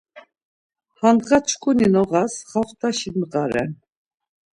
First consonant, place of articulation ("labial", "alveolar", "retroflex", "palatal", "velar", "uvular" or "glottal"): glottal